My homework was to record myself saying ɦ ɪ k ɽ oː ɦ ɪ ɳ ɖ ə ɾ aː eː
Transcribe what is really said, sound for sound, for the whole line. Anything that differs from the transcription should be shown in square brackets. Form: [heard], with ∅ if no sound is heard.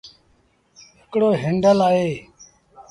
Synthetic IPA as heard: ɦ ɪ k ɽ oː ɦ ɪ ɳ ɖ ə [l] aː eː